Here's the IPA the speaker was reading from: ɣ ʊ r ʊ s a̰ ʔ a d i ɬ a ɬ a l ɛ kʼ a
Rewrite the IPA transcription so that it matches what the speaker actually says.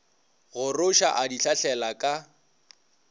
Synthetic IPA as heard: ɣ ʊ r ʊ ʃ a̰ ʔ a d i ɬ a ɬ ɛ l a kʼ a